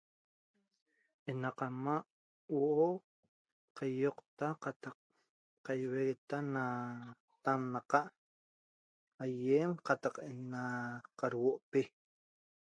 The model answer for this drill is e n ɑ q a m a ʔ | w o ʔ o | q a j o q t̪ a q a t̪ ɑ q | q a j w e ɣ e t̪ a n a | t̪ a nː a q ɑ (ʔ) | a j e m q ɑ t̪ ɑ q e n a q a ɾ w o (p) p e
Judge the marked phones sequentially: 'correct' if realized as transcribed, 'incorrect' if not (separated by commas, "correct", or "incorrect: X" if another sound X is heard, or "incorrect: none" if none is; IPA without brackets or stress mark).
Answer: correct, incorrect: ʔ